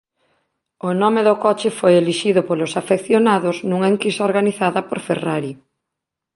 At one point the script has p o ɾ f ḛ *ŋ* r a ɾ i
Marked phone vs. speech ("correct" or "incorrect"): incorrect